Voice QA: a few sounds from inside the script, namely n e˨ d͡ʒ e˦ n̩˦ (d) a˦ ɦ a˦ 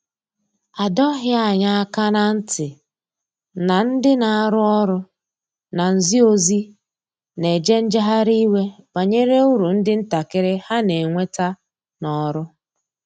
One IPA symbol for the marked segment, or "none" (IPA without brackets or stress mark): d͡ʒ